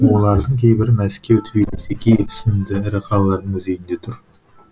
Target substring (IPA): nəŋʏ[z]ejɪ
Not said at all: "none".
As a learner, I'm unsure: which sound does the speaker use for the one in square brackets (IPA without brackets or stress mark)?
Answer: z